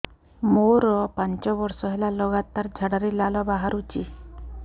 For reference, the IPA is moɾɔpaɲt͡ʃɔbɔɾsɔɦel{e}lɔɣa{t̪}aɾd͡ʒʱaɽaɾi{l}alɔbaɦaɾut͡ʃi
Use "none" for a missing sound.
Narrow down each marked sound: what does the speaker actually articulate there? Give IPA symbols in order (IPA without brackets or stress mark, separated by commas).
a, t̪, l